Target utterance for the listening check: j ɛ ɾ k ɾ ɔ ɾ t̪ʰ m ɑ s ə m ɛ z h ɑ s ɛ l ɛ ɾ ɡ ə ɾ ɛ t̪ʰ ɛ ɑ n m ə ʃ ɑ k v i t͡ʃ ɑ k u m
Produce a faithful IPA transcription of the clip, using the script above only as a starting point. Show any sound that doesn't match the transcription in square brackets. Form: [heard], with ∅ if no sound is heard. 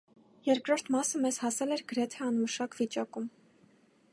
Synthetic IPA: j ɛ ɾ k ɾ ɔ ɾ t̪ʰ m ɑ s ə m ɛ z h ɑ s ɛ l ɛ ɾ ɡ ə ɾ ɛ t̪ʰ ɛ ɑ n m ə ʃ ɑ k v i t͡ʃ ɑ k u m